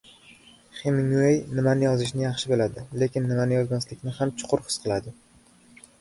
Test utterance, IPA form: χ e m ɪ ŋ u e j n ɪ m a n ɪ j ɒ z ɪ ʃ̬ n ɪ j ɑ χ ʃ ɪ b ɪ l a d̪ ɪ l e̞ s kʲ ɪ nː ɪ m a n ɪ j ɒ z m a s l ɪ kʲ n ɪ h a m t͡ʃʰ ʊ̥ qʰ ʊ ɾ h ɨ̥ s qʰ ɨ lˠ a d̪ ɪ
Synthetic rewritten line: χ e m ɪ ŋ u e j n ɪ m a n ɪ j ɒ z ɪ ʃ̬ n ɪ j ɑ χ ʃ ɪ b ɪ l a d̪ ɪ l e̞ kʲ ɪ nː ɪ m a n ɪ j ɒ z m a s l ɪ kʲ n ɪ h a m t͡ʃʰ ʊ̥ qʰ ʊ ɾ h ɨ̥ s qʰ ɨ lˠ a d̪ ɪ